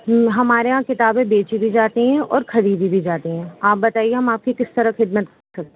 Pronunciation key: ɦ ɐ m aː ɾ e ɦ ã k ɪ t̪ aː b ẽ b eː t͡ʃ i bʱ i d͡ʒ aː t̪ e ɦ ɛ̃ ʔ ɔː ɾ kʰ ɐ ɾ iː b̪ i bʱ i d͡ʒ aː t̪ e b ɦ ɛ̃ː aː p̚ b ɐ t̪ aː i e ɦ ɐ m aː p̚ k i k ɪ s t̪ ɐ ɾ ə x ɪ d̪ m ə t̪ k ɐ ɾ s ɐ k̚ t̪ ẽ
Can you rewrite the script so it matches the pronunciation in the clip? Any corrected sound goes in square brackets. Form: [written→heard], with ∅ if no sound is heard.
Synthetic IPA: ɦ ɐ m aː ɾ e ɦ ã k ɪ t̪ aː b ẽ b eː t͡ʃ i bʱ i d͡ʒ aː t̪ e ɦ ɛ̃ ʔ ɔː ɾ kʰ ɐ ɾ iː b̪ i bʱ i d͡ʒ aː t̪ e [b→∅] ɦ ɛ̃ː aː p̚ b ɐ t̪ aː i e ɦ ɐ m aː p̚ k i k ɪ s t̪ ɐ ɾ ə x ɪ d̪ m ə t̪ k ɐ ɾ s ɐ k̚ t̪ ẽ